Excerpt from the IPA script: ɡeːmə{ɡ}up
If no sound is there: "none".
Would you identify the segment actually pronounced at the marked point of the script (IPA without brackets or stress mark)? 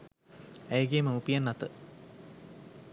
none